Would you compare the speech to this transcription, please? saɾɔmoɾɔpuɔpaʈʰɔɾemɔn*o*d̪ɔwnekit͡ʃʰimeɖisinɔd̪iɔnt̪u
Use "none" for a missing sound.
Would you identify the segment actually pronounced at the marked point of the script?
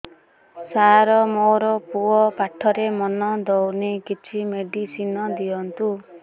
ɔ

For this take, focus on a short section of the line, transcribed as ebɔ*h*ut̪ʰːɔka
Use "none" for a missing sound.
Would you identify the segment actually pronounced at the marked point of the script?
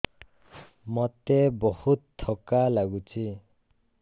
h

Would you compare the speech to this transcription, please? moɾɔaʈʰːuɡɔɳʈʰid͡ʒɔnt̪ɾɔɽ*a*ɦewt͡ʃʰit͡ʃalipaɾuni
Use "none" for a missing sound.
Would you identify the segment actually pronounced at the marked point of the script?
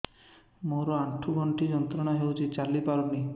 a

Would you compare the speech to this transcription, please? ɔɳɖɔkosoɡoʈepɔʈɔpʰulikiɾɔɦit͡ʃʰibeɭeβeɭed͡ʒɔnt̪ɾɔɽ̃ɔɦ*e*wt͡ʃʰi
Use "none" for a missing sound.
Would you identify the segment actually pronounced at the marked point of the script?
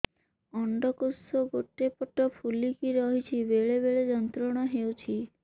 e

